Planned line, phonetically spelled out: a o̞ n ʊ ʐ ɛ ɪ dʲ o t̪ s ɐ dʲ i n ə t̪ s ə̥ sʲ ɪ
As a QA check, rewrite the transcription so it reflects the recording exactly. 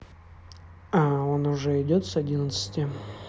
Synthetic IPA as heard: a o̞ n ʊ ʐ ɛ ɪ dʲ o t̪ s ɐ dʲ i n ə t̪ s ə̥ tʲ ɪ

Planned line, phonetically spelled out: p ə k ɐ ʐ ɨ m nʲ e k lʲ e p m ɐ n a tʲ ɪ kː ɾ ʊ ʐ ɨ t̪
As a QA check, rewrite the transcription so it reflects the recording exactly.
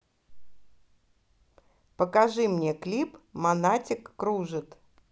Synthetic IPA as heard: p ə k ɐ ʐ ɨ m nʲ e k lʲ i p m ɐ n a tʲ ɪ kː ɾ u ʐ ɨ t̪

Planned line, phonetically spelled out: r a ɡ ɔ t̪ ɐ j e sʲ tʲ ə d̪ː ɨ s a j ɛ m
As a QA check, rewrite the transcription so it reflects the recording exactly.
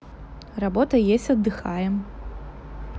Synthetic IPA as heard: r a b ɔ t̪ ɐ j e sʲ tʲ ɐ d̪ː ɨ x a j ɛ m

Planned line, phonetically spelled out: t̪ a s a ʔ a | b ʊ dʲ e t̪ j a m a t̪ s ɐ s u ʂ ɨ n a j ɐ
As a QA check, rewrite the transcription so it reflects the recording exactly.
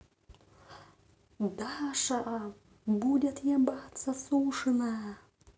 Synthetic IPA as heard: d̪ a ʂ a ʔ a | b u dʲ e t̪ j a b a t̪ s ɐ s u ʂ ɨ n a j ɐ

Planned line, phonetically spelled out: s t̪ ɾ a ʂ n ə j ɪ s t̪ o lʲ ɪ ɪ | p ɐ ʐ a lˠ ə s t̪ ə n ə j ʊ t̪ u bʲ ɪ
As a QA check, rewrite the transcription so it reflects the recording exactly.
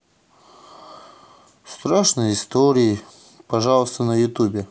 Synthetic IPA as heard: s t̪ ɾ a ʂ n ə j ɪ s t̪ o ɾʲ ɪ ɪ | p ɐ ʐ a lˠ ə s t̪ ə n ə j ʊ t̪ u bʲ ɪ

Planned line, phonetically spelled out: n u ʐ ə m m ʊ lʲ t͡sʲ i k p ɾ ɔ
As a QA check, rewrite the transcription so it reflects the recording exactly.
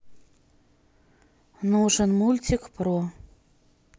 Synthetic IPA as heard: n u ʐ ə n m u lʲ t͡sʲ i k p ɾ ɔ

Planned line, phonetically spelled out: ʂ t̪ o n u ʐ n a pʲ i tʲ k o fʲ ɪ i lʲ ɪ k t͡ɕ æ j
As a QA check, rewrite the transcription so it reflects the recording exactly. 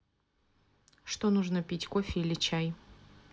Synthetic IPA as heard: ʂ t̪ o n u ʐ n ə pʲ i tʲ k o fʲ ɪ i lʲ ɪ t͡ɕ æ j

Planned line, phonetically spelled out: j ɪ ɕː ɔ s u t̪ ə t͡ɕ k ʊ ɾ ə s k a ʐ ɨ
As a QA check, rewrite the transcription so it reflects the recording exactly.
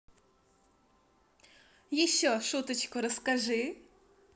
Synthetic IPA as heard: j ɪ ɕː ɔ ʂ u t̪ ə t͡ɕ k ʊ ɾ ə s k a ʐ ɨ

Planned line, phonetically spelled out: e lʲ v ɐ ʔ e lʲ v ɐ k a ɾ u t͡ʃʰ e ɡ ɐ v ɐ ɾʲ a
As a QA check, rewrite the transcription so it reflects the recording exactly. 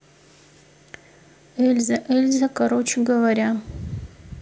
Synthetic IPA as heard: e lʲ z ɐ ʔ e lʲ z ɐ k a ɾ o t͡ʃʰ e ɡ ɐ v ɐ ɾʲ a

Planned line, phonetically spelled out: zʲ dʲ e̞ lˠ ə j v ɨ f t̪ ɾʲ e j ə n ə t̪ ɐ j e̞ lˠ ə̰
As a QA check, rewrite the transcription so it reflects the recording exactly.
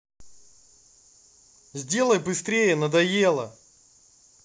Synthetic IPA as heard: zʲ dʲ e̞ lˠ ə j b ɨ s t̪ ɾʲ e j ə n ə d̪ ɐ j e̞ lˠ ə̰

